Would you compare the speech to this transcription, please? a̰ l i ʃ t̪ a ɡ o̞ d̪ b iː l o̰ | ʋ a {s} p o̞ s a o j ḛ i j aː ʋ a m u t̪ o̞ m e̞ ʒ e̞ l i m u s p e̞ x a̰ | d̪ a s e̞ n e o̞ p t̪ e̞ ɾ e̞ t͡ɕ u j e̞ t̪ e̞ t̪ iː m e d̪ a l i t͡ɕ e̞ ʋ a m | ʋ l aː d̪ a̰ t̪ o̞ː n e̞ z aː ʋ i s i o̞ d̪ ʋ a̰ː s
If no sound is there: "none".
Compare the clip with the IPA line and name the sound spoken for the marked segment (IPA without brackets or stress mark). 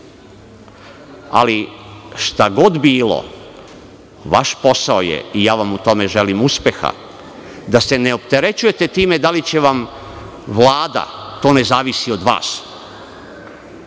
ʃ